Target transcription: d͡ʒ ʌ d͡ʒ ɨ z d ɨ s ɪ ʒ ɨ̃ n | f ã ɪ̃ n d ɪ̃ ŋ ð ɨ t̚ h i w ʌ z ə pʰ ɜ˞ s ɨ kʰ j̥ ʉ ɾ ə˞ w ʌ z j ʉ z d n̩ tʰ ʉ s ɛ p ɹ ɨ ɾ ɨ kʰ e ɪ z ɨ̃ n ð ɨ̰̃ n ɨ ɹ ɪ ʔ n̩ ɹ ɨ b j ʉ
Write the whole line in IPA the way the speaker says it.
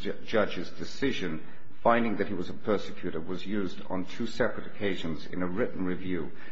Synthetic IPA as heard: d͡ʒ ʌ d͡ʒ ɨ z d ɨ s ɪ ʒ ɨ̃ n | f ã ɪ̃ n d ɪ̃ ŋ ð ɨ t̚ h i w ʌ z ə pʰ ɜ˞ s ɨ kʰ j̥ ʉ ɾ ə˞ w ʌ z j ʉ z d n̩ tʰ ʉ s ɛ p ɹ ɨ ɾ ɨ kʰ e ɪ ʒ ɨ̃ n z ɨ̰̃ n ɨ ɹ ɪ ʔ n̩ ɹ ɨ v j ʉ